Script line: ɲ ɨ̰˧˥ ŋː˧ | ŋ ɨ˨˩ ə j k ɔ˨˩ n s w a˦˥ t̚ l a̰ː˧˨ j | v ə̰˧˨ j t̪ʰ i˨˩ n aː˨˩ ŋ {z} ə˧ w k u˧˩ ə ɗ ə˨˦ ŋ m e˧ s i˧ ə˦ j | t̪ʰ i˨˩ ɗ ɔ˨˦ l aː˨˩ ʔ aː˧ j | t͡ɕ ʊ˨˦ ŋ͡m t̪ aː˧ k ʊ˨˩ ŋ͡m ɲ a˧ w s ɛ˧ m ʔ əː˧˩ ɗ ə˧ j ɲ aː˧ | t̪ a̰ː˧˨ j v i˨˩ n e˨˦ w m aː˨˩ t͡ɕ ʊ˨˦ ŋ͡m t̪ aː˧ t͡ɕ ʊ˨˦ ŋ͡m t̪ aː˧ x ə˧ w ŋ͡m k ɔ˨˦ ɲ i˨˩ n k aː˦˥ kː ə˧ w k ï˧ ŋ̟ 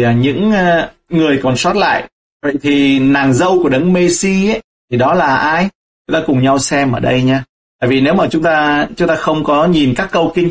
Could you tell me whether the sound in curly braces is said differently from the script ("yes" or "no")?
no